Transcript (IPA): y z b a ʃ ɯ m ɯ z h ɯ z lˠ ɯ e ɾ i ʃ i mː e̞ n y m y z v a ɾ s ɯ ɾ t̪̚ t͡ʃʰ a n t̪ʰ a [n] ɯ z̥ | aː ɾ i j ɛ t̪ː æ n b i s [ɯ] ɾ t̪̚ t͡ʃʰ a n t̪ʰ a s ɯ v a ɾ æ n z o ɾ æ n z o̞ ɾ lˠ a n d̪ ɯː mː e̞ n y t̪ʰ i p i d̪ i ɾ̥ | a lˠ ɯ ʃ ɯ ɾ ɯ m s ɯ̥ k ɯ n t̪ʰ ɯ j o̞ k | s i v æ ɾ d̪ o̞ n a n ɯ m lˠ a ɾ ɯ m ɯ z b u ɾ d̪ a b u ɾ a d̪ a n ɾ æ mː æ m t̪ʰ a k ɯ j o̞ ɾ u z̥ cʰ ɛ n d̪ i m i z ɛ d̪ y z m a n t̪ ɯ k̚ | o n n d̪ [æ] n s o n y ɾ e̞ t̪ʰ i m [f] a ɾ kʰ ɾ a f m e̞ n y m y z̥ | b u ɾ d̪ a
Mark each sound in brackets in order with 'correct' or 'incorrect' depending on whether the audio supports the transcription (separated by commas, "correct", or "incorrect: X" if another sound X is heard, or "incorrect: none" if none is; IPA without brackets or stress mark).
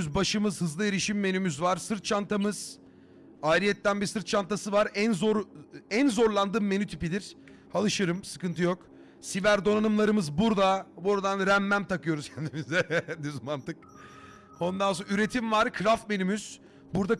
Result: incorrect: m, correct, incorrect: a, incorrect: v